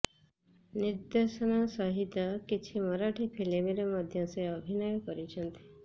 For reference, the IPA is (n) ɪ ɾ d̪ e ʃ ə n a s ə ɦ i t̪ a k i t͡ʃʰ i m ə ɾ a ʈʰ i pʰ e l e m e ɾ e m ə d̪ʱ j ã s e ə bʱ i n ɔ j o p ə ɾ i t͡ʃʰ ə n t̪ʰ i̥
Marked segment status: correct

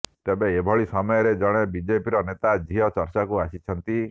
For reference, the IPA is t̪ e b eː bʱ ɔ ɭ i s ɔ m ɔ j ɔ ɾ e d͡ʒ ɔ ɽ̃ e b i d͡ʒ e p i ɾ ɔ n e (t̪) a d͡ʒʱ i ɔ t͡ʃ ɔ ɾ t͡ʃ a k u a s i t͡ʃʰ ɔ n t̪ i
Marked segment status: correct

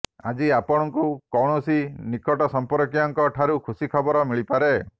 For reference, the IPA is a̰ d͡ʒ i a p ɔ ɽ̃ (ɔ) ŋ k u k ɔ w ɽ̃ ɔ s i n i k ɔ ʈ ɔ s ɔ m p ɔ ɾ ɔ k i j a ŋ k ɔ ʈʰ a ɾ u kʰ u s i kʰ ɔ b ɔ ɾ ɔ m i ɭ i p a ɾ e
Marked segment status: correct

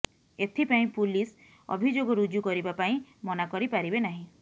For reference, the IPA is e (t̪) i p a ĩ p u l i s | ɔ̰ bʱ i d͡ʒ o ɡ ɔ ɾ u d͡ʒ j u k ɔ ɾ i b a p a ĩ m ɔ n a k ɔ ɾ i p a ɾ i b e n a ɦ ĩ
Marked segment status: incorrect: t̪ʰ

